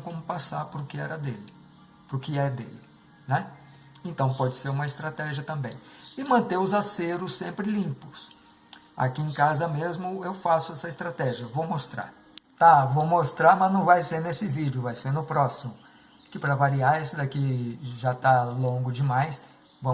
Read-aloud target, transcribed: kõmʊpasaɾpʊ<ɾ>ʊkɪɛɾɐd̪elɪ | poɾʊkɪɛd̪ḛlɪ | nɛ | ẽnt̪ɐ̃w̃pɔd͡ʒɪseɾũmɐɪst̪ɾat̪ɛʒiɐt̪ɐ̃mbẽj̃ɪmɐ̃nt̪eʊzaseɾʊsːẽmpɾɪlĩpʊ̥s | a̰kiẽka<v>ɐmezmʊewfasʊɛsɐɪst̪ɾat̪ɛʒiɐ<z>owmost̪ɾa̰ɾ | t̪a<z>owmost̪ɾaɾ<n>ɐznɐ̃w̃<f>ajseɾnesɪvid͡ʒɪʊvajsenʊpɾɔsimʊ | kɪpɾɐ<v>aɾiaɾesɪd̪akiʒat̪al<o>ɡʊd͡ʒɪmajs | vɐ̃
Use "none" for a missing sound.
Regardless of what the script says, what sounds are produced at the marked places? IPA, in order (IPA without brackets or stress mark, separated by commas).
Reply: ɾ, z, v, v, m, v, v, õ